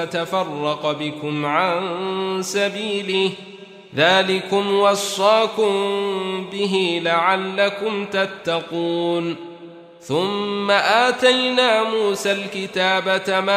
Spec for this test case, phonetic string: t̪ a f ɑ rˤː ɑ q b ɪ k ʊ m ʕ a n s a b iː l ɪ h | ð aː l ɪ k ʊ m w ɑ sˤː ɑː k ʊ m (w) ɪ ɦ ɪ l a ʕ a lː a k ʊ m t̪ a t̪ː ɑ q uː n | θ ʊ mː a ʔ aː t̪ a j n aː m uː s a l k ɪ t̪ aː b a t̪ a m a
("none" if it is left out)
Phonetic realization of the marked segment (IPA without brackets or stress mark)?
b